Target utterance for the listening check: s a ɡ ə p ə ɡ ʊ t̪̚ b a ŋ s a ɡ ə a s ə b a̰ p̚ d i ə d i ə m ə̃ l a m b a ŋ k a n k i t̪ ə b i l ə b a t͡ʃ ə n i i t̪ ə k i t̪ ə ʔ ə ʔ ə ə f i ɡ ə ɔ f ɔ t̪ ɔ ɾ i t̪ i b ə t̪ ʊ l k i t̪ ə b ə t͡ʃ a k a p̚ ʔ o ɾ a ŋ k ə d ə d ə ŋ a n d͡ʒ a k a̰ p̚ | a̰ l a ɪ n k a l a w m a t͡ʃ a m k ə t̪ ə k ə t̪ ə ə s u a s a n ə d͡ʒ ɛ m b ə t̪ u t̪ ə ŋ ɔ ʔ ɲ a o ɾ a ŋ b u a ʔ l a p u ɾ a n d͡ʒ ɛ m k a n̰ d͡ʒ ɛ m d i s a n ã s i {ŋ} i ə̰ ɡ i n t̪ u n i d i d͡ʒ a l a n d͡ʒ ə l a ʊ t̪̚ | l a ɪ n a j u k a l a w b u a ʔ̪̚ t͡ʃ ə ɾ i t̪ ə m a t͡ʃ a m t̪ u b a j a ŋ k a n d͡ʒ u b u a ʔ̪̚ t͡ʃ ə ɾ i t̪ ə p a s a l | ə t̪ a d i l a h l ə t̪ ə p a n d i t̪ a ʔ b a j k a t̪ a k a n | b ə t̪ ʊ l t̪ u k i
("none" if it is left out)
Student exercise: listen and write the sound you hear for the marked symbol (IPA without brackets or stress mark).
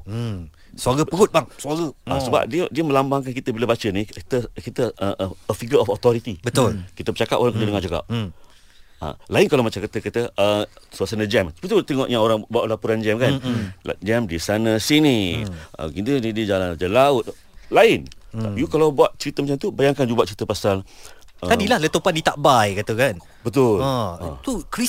n